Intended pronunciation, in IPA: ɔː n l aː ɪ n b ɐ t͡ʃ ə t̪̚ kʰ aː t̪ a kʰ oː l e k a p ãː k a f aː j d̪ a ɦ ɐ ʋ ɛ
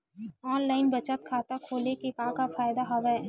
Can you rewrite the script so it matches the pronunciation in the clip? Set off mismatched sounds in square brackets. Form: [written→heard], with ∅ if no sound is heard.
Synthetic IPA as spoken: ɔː n l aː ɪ n b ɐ t͡ʃ ə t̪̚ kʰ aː t̪ a kʰ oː l e k [a→e] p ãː k a f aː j d̪ a ɦ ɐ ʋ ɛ